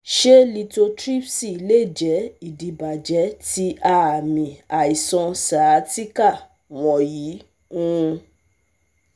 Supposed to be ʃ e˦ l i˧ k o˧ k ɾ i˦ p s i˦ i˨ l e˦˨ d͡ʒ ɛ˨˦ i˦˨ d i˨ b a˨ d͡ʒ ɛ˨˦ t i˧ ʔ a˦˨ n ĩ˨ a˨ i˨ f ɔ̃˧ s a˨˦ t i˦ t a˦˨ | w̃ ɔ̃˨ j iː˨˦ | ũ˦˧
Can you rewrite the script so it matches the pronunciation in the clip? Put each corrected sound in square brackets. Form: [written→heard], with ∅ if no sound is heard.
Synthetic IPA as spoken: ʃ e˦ l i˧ [k→t] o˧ [k→t] ɾ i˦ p s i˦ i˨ l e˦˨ d͡ʒ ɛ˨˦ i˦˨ d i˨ b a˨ d͡ʒ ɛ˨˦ t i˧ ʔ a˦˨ [n→m] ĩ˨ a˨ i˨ [f→s] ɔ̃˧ s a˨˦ t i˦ [t→k] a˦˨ | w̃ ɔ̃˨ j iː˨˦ | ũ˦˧